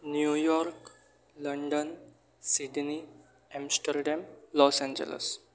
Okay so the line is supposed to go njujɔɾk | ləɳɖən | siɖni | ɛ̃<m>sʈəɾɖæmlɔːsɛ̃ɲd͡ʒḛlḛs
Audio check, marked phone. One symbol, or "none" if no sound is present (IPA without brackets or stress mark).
m